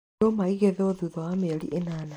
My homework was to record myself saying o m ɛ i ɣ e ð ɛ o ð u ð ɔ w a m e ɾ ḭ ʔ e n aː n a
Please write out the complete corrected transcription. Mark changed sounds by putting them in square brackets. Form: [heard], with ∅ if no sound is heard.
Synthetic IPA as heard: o m [a] i ɣ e ð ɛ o ð u ð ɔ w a m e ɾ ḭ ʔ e n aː n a